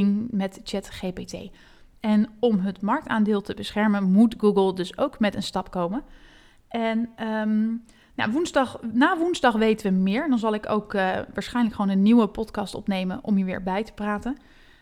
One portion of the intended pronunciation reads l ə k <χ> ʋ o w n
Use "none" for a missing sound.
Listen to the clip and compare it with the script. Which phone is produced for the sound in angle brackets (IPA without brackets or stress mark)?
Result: χ